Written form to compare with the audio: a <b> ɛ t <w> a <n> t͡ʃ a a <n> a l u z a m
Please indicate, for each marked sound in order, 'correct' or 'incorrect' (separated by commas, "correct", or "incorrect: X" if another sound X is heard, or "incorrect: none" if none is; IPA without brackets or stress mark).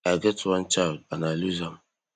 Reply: incorrect: ɡ, correct, correct, correct